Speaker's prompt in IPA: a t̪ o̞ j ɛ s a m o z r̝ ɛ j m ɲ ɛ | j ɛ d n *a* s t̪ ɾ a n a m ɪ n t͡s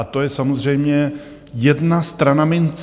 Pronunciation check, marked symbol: correct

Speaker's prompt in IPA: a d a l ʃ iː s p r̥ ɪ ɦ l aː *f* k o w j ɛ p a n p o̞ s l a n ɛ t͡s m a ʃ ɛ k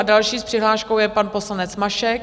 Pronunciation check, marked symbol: incorrect: ʃ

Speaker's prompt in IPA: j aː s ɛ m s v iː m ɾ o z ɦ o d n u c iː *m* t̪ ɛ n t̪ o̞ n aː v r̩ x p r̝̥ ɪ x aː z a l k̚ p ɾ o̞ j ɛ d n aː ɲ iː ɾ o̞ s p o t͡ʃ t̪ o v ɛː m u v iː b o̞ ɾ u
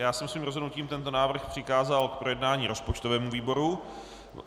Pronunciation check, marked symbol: correct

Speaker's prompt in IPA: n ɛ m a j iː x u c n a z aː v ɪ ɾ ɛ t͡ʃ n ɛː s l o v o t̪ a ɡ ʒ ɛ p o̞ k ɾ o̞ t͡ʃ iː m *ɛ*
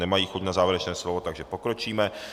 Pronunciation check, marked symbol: correct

